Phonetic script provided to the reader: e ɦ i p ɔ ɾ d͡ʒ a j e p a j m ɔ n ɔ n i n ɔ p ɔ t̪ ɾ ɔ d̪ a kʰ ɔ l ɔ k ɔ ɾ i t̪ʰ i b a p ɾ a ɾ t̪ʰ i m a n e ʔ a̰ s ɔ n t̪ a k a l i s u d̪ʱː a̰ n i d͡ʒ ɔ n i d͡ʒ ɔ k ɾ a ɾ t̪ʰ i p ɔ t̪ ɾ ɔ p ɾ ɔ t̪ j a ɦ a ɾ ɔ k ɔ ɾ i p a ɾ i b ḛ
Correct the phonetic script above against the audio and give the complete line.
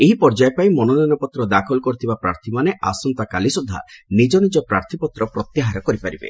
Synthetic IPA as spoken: e ɦ i p ɔ ɾ d͡ʒ a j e p a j m ɔ n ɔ n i n ɔ p ɔ t̪ ɾ ɔ d̪ a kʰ ɔ l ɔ k ɔ ɾ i t̪ʰ i b a p ɾ a ɾ t̪ʰ i m a n e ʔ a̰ s ɔ n t̪ a k a l i s u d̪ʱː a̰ n i d͡ʒ ɔ n i d͡ʒ ɔ p ɾ a ɾ t̪ʰ i p ɔ t̪ ɾ ɔ p ɾ ɔ t̪ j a ɦ a ɾ ɔ k ɔ ɾ i p a ɾ i b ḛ